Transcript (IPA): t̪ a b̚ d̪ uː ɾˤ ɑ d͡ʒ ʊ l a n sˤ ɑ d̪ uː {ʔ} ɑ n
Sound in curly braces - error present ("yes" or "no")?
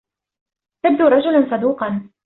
yes